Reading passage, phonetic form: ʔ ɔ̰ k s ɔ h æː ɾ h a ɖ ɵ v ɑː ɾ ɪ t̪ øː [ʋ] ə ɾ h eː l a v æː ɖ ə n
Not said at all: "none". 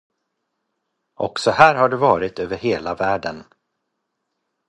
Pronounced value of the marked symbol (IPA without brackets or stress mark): v